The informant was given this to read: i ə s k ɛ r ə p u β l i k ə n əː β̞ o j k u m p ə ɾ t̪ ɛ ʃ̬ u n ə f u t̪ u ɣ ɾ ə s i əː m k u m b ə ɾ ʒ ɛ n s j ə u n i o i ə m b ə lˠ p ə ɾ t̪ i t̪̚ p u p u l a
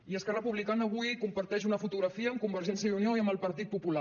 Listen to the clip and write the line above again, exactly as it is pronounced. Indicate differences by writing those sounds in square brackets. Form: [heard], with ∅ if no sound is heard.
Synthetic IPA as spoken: i ə s k ɛ r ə p u β l i k [a] n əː β̞ [u] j k u m p ə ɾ t̪ ɛ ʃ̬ u n ə f u t̪ u ɣ ɾ ə [f] i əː m k u m b ə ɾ ʒ ɛ n s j ə u n i o i ə m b ə lˠ p ə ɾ t̪ i t̪̚ p u p u l a